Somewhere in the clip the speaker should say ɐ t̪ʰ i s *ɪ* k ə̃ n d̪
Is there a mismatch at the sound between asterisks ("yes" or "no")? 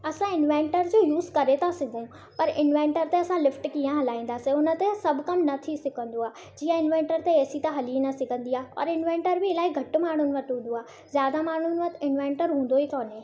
no